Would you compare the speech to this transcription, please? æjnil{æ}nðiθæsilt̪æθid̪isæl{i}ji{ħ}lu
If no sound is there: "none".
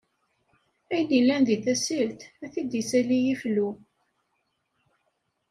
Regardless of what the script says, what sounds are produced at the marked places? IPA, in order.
æ, i, f

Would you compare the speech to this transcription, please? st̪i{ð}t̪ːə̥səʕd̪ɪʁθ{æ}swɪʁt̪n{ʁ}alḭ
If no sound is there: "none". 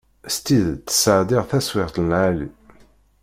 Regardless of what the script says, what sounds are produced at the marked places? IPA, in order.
ð, æ, ʕ

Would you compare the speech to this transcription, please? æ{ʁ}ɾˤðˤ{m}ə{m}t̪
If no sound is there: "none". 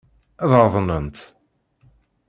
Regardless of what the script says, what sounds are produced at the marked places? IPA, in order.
ð, n, n

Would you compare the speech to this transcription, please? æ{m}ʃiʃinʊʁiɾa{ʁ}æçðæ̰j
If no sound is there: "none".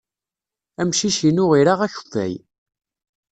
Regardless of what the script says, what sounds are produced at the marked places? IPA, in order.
m, ʁ

